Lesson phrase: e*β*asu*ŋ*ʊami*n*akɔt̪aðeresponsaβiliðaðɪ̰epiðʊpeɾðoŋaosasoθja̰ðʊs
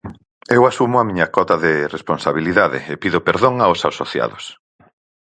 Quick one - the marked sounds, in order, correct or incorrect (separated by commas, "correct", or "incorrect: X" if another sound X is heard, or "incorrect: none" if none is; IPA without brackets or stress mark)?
incorrect: w, incorrect: m, incorrect: ɲ